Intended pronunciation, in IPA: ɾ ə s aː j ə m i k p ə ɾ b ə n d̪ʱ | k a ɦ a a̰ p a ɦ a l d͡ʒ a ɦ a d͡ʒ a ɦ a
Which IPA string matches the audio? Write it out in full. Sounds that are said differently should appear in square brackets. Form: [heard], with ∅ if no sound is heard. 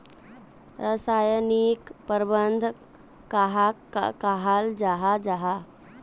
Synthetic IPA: ɾ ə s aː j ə [n] i k p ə ɾ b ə n d̪ʱ | k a ɦ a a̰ [k] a ɦ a l d͡ʒ a ɦ a d͡ʒ a ɦ a